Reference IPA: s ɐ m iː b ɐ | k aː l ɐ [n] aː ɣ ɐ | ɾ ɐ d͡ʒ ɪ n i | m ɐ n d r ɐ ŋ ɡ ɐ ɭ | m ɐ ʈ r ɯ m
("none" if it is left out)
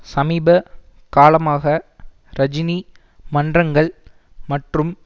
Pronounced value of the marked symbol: m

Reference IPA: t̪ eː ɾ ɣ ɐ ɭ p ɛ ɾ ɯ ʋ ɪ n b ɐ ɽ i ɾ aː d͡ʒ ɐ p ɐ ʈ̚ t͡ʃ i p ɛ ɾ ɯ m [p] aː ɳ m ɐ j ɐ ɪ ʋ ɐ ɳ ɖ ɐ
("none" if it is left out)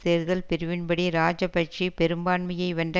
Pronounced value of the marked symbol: b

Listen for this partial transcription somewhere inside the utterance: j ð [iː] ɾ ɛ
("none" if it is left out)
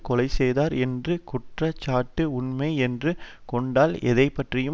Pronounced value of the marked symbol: aː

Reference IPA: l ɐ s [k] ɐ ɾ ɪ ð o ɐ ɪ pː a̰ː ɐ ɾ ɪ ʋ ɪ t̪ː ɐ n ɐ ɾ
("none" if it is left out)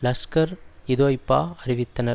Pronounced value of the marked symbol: k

